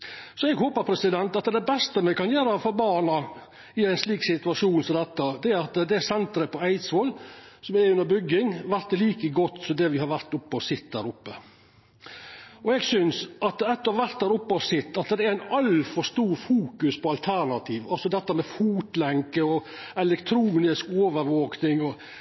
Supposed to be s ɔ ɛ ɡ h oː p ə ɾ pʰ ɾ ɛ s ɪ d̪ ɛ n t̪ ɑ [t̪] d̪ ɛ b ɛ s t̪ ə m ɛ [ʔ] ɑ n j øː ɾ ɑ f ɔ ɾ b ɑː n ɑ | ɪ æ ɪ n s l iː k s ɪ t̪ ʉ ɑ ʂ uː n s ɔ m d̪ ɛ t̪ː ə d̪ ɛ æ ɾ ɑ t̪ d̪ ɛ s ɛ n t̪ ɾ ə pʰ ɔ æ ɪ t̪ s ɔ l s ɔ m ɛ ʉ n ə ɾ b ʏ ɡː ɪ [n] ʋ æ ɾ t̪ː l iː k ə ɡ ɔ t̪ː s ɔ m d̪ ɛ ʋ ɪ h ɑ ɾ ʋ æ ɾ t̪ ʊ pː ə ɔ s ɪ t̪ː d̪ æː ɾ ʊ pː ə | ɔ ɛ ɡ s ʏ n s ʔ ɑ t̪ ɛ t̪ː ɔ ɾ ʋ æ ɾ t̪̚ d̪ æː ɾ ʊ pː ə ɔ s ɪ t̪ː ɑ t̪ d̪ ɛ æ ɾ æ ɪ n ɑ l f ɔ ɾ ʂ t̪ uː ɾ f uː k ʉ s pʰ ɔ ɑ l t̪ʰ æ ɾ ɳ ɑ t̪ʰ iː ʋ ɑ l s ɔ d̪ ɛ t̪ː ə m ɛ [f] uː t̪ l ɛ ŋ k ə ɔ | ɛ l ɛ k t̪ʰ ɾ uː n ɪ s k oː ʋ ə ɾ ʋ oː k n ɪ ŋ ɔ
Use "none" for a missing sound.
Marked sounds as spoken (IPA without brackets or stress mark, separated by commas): t̪, k, ŋ, f